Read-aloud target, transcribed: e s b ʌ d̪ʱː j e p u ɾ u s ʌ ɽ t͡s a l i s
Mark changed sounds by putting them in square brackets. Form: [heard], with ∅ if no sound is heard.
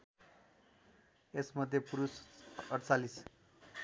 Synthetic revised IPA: e s [m] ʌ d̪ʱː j e p u ɾ u s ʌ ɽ t͡s a l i s

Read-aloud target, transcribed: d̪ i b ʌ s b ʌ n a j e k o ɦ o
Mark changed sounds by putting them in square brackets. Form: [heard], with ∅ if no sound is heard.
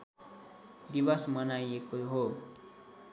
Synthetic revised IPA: d̪ i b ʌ s [m] ʌ n a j e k o ɦ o

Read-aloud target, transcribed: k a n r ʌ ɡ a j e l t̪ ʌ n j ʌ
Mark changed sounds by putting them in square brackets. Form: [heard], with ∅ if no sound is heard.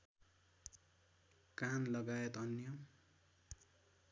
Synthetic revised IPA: k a n [l] ʌ ɡ a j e [∅] t̪ ʌ n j ʌ

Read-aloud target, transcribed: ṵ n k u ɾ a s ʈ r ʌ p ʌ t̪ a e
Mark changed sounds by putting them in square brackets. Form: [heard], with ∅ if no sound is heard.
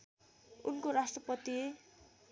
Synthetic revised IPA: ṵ n k [o] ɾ a s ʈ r ʌ p ʌ t̪ [i] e

